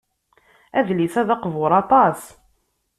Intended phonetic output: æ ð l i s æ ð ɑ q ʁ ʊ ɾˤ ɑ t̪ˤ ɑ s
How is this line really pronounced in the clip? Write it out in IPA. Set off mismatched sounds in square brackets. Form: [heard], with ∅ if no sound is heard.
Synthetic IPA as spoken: æ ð l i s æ ð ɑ q [v] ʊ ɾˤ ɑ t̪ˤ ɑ s